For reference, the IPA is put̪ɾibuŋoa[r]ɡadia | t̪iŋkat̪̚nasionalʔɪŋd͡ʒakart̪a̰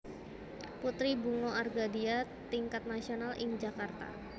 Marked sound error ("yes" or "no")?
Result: no